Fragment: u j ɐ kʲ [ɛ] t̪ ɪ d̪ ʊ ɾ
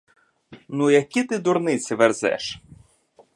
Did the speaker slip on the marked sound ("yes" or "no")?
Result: yes